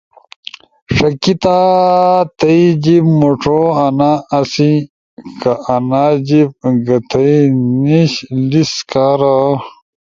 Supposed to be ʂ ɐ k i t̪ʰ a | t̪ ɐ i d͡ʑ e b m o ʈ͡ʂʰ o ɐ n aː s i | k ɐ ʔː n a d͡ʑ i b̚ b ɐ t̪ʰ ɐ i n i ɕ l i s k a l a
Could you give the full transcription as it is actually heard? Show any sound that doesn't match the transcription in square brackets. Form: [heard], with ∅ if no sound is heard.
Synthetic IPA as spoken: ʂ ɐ k i [t̪] a | t̪ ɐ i d͡ʑ [i] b m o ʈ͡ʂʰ o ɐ n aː s i | k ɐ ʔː n a d͡ʑ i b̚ [ɡ] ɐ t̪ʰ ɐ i n i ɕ l i s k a [ɾ] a